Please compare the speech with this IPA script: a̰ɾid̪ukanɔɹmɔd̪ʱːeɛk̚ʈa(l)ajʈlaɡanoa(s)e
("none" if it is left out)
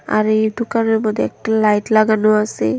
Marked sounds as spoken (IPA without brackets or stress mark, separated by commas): l, s